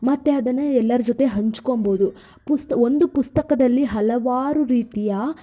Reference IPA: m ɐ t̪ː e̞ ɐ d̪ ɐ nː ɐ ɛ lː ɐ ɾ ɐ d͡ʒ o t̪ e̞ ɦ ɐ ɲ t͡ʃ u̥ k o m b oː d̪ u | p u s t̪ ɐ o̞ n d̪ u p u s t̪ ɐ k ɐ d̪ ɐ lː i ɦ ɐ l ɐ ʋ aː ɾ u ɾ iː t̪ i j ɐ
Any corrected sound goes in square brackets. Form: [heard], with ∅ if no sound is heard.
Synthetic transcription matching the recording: m ɐ t̪ː e̞ ɐ d̪ ɐ nː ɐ ɛ lː ɐ ɾ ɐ d͡ʒ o t̪ e̞ ɦ ɐ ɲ t͡ʃ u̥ k o m b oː d̪ u | p u s t̪ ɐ o̞ n d̪ u p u s t̪ ɐ k ɐ d̪ ɐ lː i ɦ ɐ l ɐ ʋ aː ɾ u ɾ iː t̪ i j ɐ